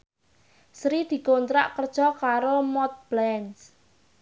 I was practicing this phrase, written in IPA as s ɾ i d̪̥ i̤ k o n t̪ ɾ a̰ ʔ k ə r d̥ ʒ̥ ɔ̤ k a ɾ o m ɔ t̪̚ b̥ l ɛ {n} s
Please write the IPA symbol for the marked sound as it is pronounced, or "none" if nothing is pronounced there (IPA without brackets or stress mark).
n